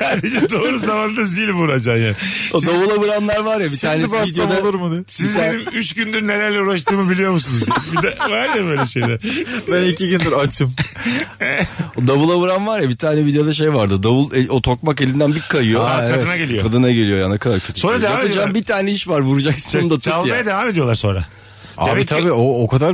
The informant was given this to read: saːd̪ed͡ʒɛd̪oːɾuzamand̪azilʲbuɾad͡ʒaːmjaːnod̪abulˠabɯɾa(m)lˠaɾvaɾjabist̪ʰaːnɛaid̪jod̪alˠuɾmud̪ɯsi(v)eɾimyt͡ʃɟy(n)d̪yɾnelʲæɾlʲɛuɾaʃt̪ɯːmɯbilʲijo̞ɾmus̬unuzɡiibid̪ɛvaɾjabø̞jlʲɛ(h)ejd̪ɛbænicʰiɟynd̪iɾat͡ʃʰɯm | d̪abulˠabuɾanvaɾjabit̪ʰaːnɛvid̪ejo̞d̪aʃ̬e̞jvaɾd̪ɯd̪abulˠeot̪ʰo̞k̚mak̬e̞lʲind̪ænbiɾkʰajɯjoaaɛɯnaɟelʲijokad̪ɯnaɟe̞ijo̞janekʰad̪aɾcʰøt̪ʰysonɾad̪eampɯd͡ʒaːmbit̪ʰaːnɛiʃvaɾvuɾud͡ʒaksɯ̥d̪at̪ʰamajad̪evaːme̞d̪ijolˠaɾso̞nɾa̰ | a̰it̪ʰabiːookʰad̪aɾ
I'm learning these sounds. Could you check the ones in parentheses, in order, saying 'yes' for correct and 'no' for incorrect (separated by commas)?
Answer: no, no, yes, no